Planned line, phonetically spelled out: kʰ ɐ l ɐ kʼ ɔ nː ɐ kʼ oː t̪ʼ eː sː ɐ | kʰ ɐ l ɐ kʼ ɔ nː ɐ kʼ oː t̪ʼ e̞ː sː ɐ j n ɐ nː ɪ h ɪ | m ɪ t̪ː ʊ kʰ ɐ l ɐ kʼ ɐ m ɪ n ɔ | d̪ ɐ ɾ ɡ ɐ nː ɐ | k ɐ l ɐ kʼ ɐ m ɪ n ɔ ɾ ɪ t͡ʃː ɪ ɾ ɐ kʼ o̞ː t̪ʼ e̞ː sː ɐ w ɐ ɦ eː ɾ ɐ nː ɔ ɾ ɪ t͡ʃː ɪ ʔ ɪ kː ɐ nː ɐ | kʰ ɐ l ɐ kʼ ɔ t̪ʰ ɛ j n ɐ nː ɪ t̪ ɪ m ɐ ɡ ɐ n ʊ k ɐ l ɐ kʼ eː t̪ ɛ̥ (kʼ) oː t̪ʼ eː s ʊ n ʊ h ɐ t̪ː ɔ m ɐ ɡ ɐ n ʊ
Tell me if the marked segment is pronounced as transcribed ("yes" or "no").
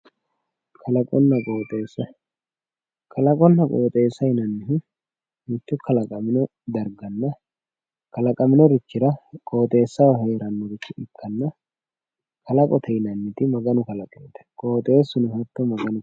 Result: yes